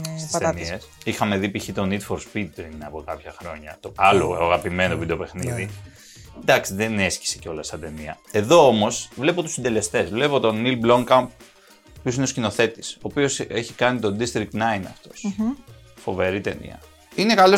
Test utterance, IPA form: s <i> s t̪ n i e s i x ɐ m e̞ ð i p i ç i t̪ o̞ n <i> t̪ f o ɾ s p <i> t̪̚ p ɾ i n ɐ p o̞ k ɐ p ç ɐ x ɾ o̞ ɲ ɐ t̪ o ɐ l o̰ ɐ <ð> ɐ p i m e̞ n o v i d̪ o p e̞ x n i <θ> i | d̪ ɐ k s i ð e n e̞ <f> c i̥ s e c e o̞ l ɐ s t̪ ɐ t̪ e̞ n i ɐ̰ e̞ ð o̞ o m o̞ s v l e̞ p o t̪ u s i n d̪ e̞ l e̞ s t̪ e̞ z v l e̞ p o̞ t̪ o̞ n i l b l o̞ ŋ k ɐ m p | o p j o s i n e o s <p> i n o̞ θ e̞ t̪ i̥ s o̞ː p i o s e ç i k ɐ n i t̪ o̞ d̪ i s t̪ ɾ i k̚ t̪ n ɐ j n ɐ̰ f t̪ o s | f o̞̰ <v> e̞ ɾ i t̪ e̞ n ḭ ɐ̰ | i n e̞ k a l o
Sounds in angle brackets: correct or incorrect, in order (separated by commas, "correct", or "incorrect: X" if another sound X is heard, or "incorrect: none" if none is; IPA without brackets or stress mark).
correct, correct, correct, incorrect: ɣ, incorrect: ð, incorrect: s, incorrect: c, correct